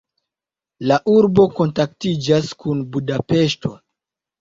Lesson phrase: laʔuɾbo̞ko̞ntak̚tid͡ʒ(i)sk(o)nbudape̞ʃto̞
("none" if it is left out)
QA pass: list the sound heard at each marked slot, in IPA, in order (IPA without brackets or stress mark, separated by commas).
a, u